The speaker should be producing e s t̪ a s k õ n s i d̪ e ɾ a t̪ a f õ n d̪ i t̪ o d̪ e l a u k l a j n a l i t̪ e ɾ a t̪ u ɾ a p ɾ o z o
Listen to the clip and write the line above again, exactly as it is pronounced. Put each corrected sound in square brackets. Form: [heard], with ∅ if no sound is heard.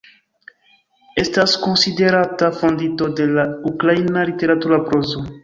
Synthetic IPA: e s t̪ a s k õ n s i d̪ e ɾ a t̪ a f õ n d̪ i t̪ o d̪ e l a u k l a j n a l i t̪ e ɾ a t̪ u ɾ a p ɾ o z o